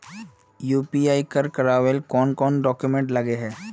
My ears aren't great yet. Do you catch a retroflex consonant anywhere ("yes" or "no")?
yes